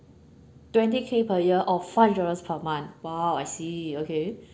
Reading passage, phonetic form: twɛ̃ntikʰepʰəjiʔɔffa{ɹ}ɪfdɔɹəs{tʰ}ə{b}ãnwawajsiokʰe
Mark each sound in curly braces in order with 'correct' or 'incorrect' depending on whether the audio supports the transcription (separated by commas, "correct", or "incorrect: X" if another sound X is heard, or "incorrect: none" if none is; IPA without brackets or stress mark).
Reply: incorrect: none, incorrect: pʰ, incorrect: m